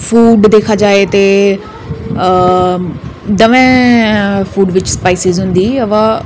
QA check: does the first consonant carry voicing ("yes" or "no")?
no